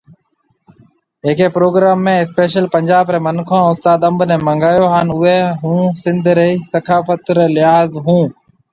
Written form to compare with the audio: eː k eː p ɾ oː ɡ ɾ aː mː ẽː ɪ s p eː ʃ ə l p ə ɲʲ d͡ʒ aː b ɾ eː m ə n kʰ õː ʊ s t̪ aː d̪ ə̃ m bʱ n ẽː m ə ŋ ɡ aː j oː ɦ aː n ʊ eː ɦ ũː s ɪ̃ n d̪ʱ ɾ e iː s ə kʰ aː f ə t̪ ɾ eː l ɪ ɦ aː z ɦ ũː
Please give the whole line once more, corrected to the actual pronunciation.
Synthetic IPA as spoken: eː k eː p ɾ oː ɡ ɾ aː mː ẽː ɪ s p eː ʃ ə l p ə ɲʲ d͡ʒ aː b ɾ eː m ə n kʰ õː ʊ s t̪ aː d̪ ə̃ m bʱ n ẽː m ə ŋ ɡ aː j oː ɦ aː n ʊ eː ɦ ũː s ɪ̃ n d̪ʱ ɾ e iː s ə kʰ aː f ə t̪ ɾ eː l ɪ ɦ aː z ɦ ũː

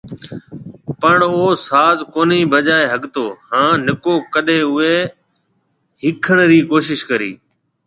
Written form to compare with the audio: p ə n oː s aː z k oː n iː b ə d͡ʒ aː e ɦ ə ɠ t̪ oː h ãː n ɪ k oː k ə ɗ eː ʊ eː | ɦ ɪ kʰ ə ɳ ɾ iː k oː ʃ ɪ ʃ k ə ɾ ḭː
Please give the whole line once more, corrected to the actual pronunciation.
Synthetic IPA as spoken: p ə ɳ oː s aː z k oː n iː b ə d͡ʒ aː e ɦ ə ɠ t̪ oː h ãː n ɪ k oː k ə ɗ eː ʊ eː | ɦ ɪ kʰ ə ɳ ɾ iː k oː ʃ ɪ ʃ k ə ɾ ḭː

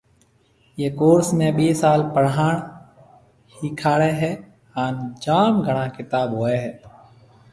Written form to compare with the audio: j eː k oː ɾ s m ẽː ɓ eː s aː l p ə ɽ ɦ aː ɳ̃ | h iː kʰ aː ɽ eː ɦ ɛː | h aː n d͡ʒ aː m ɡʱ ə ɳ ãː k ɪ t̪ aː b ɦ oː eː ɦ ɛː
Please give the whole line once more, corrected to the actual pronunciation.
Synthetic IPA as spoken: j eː k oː ɾ s m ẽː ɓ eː s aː l p ə ɽ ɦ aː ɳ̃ | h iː kʰ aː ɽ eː ɦ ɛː | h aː n d͡ʒ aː m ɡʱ ə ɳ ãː k ɪ t̪ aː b ɦ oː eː ɦ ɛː

